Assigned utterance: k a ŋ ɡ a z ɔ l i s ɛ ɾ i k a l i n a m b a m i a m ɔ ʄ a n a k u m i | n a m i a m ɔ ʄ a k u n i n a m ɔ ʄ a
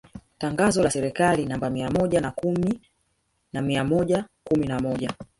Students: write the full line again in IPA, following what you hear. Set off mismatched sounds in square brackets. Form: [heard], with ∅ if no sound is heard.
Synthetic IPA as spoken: [t] a ŋ ɡ a z ɔ l [a] s ɛ ɾ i k a l i n a m b a m i a m ɔ ʄ a n a k u m i | n a m i a m ɔ ʄ a k u [m] i n a m ɔ ʄ a